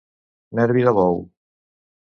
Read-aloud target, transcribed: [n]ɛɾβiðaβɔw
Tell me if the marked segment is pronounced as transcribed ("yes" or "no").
yes